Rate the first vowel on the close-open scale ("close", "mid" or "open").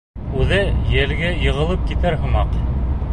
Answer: close